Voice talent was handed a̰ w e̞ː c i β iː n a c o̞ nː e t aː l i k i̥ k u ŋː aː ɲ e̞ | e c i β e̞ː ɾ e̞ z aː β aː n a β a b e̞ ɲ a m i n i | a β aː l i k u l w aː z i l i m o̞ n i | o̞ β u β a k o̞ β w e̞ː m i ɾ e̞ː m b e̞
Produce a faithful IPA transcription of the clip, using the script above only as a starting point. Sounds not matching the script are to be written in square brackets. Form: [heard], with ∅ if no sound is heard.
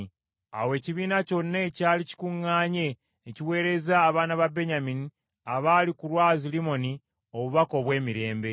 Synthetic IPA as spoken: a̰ w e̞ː c i β iː n a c o̞ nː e [c] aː l i [c] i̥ k u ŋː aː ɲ e̞ | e c i [w] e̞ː ɾ e̞ z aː β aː n a β a b e̞ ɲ a m i n i | a β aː l i k u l w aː z i l i m o̞ n i | o̞ β u β a k o̞ β w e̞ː m i ɾ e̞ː m b e̞